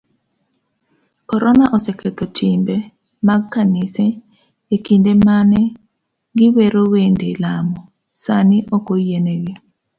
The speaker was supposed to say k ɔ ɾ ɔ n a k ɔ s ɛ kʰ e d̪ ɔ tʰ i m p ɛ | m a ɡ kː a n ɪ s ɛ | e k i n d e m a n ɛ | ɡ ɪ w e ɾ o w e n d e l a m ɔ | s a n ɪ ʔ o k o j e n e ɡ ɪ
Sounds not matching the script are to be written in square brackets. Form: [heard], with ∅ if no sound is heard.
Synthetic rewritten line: k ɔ ɾ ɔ n a [ʔ] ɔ s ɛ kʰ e [t̪] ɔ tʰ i m [b] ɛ | m a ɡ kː a n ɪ s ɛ | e k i n d e m a n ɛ | ɡ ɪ w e ɾ o w e n d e l a m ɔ | s a n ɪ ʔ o k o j e n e ɡ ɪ